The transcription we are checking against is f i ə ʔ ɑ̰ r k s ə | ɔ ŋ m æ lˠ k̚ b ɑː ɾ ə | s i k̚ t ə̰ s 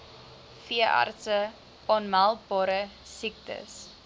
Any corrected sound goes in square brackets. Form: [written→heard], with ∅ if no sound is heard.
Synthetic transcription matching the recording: f i ə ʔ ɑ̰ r [k→t] s ə | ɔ [ŋ→n] m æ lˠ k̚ b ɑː ɾ ə | s i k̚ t ə̰ s